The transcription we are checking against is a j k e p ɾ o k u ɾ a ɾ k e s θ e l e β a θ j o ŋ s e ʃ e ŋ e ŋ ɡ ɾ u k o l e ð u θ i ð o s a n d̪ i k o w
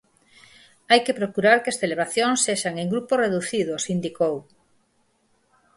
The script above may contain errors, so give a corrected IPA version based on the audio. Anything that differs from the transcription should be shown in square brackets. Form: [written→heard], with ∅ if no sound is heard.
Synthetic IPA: a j k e p ɾ o k u ɾ a ɾ k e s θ e l e β a θ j o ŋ s e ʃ [e→a] ŋ e ŋ ɡ ɾ u [k→p] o [l→r] e ð u θ i ð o s [a→i] n d̪ i k o w